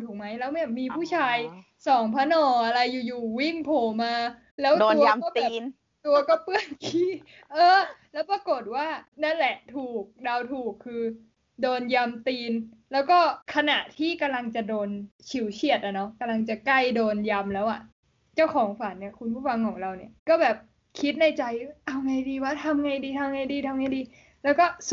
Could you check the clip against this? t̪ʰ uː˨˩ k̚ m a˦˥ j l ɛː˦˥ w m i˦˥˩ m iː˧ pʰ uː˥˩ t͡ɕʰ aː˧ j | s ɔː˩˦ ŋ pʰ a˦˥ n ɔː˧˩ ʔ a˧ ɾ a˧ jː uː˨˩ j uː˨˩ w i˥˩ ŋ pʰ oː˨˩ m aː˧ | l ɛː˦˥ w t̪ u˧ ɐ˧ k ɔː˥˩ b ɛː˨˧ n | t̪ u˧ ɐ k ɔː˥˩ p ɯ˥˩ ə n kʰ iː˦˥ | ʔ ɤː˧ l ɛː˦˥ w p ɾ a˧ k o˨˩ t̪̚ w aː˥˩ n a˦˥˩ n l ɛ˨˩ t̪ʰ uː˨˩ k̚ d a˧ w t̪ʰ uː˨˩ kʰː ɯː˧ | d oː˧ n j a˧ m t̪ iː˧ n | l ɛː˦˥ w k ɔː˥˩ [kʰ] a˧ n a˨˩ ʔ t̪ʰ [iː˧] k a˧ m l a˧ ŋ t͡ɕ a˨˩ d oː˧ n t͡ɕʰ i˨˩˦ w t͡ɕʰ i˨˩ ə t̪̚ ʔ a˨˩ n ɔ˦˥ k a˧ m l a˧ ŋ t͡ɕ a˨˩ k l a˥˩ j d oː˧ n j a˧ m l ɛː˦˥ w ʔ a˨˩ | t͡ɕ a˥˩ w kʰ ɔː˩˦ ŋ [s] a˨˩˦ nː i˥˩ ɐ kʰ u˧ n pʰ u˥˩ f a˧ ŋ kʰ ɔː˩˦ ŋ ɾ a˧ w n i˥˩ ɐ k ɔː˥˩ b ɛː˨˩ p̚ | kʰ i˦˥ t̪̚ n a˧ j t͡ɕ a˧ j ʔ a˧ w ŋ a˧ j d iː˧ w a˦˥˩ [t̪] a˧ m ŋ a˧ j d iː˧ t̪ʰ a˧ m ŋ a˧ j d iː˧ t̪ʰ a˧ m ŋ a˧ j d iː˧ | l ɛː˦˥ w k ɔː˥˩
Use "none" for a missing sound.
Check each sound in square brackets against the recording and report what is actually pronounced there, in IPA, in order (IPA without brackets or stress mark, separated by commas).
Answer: kʰ, iː˥˩, f, t̪ʰ